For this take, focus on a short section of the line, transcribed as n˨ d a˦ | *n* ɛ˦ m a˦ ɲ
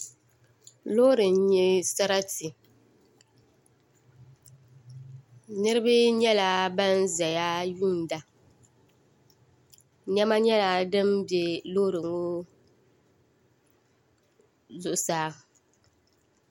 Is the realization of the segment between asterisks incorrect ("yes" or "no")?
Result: yes